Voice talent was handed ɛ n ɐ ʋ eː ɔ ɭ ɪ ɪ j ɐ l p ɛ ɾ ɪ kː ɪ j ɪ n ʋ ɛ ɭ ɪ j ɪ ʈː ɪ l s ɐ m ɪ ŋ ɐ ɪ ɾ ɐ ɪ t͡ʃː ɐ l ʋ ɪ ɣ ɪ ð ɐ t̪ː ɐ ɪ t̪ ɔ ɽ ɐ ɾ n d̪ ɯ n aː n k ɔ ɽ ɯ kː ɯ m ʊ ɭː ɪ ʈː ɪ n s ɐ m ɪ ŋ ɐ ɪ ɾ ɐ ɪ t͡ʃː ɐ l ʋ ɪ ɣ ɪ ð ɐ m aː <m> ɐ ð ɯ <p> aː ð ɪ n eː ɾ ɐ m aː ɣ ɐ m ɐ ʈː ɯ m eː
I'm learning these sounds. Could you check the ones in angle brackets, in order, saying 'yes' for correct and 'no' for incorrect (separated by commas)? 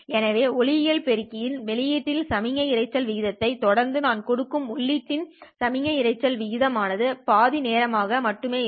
no, yes